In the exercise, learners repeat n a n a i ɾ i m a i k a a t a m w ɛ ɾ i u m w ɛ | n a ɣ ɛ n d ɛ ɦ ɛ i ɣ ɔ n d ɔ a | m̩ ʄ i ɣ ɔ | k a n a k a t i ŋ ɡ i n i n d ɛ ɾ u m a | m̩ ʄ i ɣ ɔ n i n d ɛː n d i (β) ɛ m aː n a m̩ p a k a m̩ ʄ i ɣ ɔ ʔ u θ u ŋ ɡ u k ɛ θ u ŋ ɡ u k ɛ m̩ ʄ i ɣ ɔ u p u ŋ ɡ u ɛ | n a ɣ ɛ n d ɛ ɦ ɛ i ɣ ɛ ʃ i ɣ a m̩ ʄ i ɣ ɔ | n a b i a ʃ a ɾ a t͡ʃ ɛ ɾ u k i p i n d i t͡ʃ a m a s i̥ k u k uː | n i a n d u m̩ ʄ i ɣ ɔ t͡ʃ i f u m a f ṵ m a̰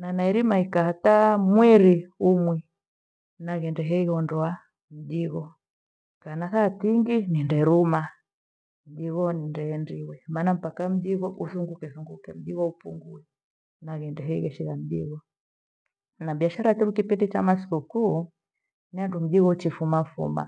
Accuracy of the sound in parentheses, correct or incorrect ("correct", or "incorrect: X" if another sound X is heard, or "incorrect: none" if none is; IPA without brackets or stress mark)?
incorrect: w